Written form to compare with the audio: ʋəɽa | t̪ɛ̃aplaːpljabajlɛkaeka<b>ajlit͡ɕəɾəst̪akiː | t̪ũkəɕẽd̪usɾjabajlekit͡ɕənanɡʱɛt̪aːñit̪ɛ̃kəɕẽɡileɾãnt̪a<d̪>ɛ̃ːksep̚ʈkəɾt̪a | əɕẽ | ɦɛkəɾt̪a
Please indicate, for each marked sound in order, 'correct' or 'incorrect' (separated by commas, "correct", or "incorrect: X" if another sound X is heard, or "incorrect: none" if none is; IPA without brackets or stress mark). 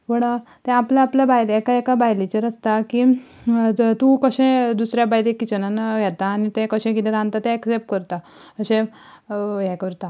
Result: correct, incorrect: t̪